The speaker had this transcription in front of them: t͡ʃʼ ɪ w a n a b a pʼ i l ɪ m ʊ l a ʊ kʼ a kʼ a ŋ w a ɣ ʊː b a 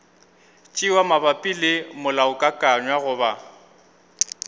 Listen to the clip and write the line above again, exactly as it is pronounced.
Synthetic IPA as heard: t͡ʃʼ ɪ w a m a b a pʼ i l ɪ m ʊ l a ʊ kʼ a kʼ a ɲ w a ɣ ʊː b a